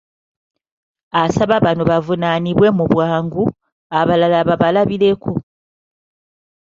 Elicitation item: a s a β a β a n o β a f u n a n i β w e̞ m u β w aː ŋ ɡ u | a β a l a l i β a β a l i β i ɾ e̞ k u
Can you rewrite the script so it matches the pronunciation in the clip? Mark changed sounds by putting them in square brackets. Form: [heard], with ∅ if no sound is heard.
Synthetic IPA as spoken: a s a β a β a n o β a [v] u n a n i β w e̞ m u β w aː ŋ ɡ u | a β a l a l [a] β a β a l [a] β i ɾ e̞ k u